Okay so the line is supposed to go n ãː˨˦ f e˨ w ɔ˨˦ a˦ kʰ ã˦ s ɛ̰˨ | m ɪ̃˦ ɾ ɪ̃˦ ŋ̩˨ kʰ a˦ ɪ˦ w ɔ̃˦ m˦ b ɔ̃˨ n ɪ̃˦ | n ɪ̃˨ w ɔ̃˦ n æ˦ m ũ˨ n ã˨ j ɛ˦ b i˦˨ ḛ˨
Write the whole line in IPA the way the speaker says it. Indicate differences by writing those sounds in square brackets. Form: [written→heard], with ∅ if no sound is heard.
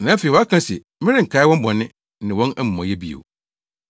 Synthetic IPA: n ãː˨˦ f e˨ w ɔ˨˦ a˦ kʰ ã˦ s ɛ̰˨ | m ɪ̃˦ ɾ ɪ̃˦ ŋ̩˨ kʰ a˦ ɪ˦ w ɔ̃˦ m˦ b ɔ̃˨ n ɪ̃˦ | n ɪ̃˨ w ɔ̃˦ n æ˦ m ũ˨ [n→m] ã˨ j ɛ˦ b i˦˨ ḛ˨

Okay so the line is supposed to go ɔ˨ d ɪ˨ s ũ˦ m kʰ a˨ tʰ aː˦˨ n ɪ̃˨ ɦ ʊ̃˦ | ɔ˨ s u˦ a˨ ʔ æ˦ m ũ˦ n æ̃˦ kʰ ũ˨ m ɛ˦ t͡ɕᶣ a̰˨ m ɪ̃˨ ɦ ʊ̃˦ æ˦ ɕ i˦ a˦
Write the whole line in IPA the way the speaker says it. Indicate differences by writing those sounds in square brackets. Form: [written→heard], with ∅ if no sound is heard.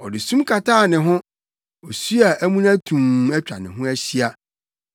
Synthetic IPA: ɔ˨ d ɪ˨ s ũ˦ m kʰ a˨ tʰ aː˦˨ n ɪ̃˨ ɦ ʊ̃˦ | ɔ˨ s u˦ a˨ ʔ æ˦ m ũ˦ n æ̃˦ [kʰ→tʰ] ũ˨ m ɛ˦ t͡ɕᶣ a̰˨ [m→n] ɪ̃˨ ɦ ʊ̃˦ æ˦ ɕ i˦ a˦

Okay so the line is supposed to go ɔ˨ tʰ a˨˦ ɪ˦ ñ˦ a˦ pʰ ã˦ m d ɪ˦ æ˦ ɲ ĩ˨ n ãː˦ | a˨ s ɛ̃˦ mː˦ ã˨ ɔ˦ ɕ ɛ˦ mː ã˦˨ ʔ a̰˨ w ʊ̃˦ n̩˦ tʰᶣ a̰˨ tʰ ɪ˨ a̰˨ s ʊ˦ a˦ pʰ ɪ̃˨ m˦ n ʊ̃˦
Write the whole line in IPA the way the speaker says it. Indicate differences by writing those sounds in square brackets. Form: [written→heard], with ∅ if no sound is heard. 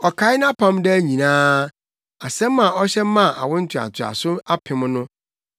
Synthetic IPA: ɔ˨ [tʰ→kʰ] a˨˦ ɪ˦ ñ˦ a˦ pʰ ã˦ m d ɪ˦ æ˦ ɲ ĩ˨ n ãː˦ | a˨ s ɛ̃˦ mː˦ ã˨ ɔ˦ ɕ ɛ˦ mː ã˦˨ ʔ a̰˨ w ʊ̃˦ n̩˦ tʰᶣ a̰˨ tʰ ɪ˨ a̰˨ s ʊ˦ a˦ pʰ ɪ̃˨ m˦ n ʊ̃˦

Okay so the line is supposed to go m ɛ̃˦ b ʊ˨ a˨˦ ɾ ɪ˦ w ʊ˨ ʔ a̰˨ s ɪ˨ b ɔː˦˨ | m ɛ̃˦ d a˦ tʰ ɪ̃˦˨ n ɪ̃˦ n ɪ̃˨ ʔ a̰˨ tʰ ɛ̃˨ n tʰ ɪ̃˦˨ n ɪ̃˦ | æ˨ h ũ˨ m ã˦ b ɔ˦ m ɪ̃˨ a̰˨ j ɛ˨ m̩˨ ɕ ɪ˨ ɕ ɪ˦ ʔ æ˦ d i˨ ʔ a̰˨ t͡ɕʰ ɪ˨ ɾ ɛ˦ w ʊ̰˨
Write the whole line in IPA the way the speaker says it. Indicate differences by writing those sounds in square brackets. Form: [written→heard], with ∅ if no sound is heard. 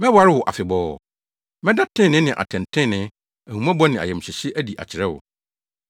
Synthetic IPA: m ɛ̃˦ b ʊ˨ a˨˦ ɾ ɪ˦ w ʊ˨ ʔ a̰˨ [s→f] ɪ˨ b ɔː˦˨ | m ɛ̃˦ d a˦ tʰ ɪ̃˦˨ n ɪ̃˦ n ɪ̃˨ ʔ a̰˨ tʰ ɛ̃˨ n tʰ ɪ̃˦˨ n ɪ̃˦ | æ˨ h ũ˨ m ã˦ b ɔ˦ [m→n] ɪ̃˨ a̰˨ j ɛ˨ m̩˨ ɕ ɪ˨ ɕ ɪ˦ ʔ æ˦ d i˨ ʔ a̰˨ t͡ɕʰ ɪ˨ ɾ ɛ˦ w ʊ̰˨

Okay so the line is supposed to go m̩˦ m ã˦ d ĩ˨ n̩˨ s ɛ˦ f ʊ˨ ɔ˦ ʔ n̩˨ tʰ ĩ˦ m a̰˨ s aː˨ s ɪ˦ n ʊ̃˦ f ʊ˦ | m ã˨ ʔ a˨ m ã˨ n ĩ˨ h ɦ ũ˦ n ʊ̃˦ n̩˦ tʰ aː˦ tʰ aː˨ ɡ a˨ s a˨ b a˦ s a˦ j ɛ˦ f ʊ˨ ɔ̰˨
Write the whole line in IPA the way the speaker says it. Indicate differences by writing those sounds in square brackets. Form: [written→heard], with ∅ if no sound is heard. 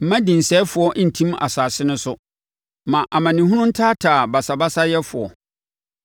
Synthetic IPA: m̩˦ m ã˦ d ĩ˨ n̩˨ s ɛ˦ f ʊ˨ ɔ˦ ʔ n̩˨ tʰ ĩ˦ m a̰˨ s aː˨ s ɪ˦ n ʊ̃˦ [f→s] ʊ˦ | m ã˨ ʔ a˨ m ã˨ n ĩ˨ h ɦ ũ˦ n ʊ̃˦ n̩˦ tʰ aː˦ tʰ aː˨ [ɡ→b] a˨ s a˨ b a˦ s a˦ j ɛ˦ f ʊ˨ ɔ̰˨

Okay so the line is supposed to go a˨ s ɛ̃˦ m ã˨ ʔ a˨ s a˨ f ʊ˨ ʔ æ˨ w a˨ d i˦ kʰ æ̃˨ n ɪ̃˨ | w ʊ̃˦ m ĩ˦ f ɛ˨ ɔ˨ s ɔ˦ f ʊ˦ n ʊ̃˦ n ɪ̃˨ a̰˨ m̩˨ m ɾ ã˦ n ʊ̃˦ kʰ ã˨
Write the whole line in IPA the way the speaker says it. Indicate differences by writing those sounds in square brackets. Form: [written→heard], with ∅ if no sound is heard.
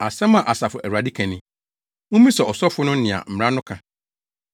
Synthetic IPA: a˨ s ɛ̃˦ m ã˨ ʔ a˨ s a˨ f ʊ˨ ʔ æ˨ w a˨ d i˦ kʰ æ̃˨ n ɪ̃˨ | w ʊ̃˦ m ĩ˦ [f→s] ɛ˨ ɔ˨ s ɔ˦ f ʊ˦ n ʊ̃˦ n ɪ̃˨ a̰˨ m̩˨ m ɾ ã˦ n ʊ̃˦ kʰ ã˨

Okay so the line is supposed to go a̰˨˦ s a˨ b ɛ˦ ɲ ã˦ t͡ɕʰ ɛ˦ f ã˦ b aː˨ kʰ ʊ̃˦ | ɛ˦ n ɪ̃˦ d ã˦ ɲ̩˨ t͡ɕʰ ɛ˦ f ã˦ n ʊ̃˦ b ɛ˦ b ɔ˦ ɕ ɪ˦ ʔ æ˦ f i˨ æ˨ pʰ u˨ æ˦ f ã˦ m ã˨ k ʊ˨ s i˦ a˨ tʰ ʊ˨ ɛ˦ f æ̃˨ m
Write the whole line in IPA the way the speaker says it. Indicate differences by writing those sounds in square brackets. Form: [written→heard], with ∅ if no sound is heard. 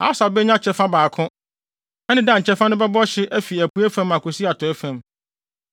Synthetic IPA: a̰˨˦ s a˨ b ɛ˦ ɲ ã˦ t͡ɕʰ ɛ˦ f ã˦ b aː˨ kʰ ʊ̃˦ | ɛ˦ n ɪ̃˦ d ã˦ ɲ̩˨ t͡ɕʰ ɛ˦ f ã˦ n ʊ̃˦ b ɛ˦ b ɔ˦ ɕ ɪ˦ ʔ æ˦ f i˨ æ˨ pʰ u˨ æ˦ f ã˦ m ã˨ k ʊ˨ s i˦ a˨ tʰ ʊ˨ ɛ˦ f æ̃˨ m

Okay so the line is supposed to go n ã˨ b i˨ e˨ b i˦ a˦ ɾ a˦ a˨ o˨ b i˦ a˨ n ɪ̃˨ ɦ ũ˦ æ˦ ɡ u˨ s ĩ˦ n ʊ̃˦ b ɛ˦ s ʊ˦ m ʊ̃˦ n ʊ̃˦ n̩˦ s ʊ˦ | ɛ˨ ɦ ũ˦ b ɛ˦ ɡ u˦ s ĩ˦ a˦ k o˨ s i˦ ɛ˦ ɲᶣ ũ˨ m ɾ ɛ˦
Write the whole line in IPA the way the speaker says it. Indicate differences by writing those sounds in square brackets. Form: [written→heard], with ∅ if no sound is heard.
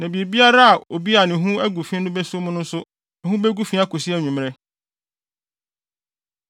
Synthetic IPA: n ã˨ b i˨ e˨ b i˦ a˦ ɾ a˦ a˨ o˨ b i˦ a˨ n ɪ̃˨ ɦ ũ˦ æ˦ ɡ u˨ [s→f] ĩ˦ n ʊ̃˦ b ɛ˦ s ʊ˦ m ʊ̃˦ n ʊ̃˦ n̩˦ s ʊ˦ | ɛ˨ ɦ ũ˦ b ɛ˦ ɡ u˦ [s→f] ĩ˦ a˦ k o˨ s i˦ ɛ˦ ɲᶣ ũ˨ m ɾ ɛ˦

